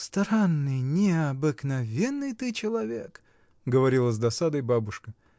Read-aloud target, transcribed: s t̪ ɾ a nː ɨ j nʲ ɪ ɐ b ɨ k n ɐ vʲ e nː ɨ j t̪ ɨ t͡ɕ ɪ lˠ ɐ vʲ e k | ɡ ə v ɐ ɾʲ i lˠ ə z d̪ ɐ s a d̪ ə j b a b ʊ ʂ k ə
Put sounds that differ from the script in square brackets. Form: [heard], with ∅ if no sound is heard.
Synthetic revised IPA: s t̪ ɾ a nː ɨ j nʲ ɪ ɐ b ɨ k n ɐ vʲ e nː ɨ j t̪ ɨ t͡ɕ ɪ lˠ ɐ vʲ e k | ɡ ə v ɐ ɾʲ i lˠ ə z d̪ ɐ s a d̪ ə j b a b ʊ ʂ k ə